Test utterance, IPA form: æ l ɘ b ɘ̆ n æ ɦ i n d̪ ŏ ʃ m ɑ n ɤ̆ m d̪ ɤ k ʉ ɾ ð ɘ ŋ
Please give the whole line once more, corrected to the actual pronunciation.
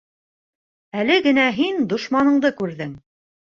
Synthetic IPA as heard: æ l ɘ ɡ ɘ̆ n æ ɦ i n d̪ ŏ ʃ m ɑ n ɤ̆ ɴ d̪ ɤ k ʉ ɾ ð ɘ ŋ